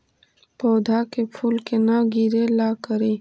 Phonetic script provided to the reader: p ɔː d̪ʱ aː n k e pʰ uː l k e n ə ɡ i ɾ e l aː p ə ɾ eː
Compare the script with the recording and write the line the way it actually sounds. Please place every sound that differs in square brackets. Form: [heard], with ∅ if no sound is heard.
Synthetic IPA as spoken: p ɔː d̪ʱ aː [∅] k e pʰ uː l k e n [a] ɡ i ɾ e l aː [k] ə ɾ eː